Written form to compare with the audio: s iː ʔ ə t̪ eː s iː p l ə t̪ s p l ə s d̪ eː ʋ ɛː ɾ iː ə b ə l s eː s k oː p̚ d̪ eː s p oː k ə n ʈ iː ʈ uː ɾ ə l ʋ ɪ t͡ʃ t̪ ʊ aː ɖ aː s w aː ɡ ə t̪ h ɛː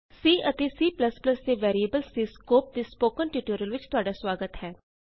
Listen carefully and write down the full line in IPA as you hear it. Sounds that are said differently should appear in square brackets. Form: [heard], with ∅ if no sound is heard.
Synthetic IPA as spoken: s iː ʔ ə t̪ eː s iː p l ə [∅] s p l ə s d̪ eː ʋ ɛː ɾ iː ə b ə l s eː s k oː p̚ d̪ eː s p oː k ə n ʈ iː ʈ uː ɾ ə l ʋ ɪ t͡ʃ t̪ ʊ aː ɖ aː s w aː ɡ ə t̪ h ɛː